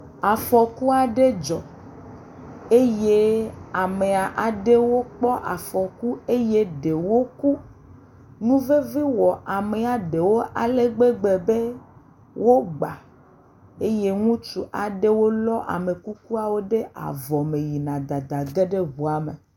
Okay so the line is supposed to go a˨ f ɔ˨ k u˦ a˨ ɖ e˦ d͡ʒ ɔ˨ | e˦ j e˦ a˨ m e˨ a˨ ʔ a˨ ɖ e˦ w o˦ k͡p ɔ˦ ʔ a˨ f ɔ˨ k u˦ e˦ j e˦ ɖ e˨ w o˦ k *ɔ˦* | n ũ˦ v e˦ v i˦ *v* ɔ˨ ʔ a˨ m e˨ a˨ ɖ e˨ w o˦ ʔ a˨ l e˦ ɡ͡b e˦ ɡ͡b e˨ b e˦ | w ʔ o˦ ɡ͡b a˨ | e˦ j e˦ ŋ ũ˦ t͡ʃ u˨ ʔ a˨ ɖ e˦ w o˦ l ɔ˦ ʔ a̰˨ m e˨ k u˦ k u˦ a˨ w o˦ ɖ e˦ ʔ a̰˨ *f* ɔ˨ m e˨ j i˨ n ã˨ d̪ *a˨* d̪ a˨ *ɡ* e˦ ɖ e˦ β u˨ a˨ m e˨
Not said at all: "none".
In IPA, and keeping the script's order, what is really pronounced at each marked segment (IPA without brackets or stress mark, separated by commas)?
u˦, w, v, a˨, ɡ